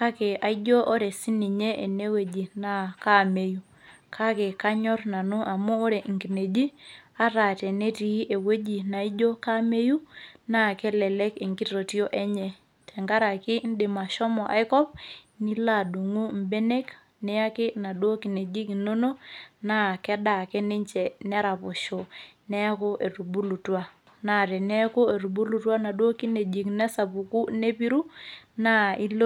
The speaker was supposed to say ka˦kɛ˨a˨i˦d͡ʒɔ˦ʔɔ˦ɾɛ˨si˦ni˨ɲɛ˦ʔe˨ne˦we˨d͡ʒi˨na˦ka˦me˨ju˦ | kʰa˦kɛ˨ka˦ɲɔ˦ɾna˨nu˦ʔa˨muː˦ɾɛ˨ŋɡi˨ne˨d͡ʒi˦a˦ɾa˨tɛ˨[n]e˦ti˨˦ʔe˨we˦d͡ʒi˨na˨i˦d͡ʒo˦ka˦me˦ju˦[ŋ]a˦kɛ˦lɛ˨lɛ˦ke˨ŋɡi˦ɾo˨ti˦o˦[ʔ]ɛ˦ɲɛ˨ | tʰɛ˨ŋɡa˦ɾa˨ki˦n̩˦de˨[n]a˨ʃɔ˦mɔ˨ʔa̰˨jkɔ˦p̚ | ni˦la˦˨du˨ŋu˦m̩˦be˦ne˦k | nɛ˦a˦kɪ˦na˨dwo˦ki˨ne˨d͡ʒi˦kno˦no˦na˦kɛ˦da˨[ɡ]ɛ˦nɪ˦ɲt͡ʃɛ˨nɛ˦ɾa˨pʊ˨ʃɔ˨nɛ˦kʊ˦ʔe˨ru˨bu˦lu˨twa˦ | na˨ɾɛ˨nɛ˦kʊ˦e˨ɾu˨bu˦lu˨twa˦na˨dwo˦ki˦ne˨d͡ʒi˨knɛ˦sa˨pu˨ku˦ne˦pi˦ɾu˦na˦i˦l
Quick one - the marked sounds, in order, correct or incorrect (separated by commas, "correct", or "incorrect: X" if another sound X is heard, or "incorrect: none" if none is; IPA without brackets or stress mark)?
correct, incorrect: n, correct, incorrect: m, incorrect: k